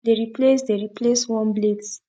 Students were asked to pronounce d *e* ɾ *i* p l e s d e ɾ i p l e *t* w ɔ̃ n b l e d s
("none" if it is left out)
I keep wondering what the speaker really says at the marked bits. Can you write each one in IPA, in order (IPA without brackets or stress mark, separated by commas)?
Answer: e, i, s